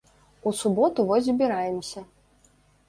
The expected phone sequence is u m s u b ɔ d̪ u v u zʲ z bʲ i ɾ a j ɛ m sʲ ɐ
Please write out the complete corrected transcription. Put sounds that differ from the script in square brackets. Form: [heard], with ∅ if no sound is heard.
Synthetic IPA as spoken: u [∅] s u b ɔ [t̪] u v [ɔ] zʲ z bʲ i ɾ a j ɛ m sʲ ɐ